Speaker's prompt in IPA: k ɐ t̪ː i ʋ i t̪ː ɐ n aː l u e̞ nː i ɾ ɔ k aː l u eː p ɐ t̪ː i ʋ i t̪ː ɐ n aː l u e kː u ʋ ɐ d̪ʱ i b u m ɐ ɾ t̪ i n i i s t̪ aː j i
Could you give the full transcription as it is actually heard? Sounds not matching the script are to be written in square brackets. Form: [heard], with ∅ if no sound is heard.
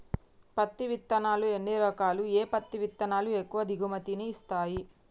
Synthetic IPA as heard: [p] ɐ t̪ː i ʋ i t̪ː ɐ n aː l u e̞ nː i ɾ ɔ k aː l u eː p ɐ t̪ː i ʋ i t̪ː ɐ n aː l u e kː u ʋ ɐ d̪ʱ i [ɡ] u m ɐ [∅] t̪ i n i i s t̪ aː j i